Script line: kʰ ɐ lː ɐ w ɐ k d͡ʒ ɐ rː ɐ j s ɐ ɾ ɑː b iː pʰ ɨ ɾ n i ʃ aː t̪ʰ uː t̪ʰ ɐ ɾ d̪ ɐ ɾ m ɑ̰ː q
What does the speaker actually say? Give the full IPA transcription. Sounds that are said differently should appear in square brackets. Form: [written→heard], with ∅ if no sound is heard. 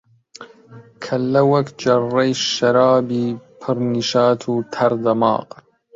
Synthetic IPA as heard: kʰ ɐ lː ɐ w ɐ k d͡ʒ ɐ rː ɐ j [s→ʃ] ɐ ɾ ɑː b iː pʰ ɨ ɾ n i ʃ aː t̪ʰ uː t̪ʰ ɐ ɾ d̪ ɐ [ɾ→∅] m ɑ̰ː q